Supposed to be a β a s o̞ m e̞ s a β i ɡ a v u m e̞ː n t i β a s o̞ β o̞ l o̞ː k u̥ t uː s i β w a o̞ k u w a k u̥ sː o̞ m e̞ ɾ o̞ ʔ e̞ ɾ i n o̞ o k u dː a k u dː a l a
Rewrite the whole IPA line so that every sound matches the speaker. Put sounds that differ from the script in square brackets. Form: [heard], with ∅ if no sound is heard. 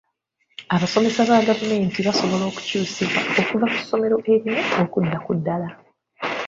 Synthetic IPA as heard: a β a s o̞ m e̞ s a β [a] ɡ a v u m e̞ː n t i β a s o̞ β o̞ l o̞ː k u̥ [c] uː s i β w a o̞ k u [v] a k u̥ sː o̞ m e̞ ɾ o̞ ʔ e̞ ɾ i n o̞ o k u dː a k u dː a l a